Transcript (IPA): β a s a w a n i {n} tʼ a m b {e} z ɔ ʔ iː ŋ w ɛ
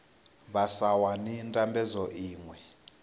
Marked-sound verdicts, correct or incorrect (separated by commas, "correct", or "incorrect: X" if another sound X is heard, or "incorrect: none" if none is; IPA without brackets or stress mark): correct, incorrect: ɛ